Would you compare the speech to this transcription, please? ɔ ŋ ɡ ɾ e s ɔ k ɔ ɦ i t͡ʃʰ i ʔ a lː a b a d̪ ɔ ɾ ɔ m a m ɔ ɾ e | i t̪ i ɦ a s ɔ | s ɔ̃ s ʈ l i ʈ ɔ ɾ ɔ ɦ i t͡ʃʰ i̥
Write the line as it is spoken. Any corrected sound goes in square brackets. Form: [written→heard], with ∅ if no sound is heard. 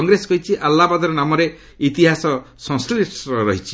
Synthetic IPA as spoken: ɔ ŋ ɡ ɾ e s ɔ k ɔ ɦ i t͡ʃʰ i ʔ a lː a b a d̪ ɔ ɾ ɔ [m→n] a m ɔ ɾ e | i t̪ i ɦ a s ɔ | s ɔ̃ s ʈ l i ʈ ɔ ɾ ɔ ɦ i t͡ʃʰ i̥